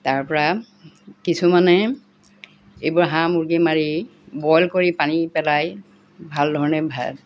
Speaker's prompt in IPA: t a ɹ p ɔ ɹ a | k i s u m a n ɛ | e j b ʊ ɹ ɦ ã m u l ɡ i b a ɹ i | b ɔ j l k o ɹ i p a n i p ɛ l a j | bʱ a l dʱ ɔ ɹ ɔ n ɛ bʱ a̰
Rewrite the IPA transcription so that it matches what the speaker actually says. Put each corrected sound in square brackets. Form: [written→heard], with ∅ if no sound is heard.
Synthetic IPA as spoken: t a ɹ p ɔ ɹ a | k i s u m a n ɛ | e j b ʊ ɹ ɦ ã m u [l→ɹ] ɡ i [b→m] a ɹ i | b ɔ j l k o ɹ i p a n i p ɛ l a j | bʱ a l dʱ ɔ ɹ ɔ n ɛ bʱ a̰